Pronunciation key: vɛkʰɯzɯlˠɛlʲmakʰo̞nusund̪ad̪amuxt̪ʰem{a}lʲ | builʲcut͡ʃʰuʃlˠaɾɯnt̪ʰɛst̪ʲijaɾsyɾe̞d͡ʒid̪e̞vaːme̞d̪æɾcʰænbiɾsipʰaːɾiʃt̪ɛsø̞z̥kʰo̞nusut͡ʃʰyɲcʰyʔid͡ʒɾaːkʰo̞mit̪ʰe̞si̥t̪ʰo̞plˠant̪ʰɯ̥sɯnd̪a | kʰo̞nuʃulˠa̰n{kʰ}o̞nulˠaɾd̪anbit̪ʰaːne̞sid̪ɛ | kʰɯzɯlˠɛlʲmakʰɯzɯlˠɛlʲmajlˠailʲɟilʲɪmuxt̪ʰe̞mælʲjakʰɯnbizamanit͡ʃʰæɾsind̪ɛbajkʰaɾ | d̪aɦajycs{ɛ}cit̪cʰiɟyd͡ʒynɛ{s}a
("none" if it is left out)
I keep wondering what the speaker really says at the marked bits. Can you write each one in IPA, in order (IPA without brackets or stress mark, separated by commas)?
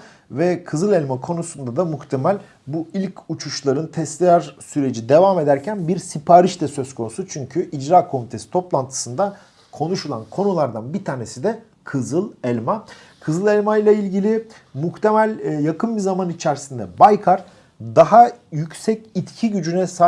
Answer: æ, kʰ, ɛ, s